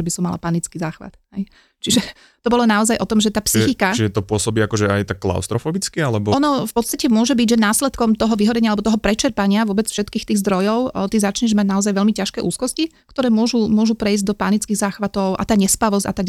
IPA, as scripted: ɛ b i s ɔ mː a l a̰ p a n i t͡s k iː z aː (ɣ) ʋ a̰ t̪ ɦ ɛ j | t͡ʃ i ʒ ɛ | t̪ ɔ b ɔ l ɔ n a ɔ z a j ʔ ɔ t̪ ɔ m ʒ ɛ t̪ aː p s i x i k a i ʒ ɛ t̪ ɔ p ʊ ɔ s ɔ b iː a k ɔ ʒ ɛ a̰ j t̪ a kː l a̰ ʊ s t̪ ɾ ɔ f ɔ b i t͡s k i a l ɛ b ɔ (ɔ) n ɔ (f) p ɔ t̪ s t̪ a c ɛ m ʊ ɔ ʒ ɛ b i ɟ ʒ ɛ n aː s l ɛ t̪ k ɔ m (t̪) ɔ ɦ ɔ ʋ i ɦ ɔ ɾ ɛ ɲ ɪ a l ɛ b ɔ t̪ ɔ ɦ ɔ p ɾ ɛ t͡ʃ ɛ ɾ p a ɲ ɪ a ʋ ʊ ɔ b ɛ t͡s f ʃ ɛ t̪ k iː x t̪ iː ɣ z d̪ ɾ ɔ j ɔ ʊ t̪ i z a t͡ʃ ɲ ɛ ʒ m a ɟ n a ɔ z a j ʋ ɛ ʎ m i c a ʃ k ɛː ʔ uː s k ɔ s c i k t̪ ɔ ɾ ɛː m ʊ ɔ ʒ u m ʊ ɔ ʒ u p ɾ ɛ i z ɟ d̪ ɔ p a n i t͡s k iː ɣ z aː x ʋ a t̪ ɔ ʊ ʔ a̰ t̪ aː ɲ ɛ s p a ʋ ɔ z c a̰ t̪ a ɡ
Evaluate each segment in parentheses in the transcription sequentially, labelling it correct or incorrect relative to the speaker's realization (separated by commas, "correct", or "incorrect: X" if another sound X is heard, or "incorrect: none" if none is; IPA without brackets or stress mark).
incorrect: x, correct, correct, correct